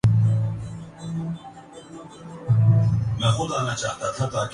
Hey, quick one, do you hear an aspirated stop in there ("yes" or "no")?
yes